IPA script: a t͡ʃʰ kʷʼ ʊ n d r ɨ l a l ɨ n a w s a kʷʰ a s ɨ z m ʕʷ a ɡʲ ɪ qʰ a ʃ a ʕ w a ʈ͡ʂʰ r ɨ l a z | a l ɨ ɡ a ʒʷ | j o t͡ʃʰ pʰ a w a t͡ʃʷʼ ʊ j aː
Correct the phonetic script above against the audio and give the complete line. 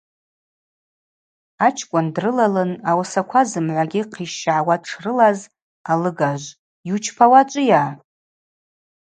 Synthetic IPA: a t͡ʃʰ kʷʼ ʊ n d r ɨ l a l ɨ n a w s a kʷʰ a z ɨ m ʕʷ a ɡʲ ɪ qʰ i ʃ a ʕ w a ʈ͡ʂʰ r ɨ l a z | a l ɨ ɡ a ʒʷ | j u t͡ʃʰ pʰ a w a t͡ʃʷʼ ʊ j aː